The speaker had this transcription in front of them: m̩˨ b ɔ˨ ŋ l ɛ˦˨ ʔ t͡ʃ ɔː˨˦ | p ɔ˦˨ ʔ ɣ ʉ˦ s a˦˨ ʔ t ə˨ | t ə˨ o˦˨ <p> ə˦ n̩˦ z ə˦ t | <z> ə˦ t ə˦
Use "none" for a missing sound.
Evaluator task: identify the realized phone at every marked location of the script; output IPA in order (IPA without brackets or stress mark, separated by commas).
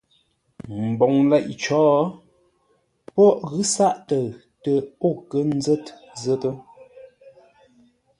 k, z